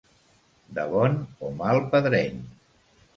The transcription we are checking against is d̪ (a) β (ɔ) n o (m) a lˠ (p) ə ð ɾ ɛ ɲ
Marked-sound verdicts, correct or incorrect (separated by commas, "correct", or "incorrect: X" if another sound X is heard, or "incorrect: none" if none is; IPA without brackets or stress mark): incorrect: ə, correct, correct, correct